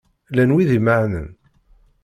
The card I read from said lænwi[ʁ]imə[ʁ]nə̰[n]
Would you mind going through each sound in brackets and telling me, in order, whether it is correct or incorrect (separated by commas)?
incorrect, incorrect, correct